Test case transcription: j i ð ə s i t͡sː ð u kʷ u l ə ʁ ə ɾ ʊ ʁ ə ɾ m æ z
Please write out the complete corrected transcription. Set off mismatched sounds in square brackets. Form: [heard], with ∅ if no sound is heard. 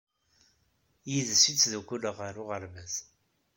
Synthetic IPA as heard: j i ð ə s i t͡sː ð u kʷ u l ə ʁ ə ɾ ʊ ʁ ə ɾ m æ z